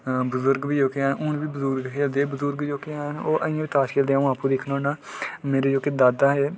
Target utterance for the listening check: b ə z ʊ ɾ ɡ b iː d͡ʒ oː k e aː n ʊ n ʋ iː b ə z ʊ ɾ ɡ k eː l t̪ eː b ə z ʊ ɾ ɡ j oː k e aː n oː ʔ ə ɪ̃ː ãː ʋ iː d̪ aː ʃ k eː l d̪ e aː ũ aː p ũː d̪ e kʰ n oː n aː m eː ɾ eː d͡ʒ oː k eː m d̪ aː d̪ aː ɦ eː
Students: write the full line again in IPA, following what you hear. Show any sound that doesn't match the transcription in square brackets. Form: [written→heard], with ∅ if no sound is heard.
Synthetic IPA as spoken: b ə z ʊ ɾ ɡ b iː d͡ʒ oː k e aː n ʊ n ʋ iː b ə z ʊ ɾ ɡ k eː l [t̪→d̪] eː b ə z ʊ ɾ ɡ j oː k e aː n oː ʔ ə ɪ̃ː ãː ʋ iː [d̪→t̪] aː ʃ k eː l d̪ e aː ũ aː p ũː d̪ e kʰ n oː n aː m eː ɾ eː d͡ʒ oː k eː [m→∅] d̪ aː d̪ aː ɦ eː